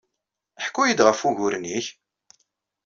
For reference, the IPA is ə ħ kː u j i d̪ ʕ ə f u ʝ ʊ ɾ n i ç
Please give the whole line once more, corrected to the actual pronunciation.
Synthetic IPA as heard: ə ħ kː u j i d̪ ʁ ə f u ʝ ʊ ɾ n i ç